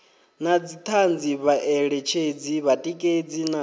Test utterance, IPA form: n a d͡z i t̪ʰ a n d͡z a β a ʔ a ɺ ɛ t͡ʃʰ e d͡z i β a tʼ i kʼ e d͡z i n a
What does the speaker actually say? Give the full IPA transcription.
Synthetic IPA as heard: n a d͡z i t̪ʰ a n d͡z i β a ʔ ɛ ɺ ɛ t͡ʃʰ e d͡z i β a tʼ i kʼ e d͡z i n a